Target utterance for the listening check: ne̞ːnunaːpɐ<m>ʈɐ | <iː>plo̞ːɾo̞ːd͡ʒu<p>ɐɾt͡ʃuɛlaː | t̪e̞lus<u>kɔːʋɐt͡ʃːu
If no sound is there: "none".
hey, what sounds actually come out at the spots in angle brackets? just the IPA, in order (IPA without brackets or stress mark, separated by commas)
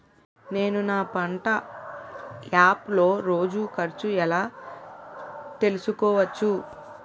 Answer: ɳ, aː, k, u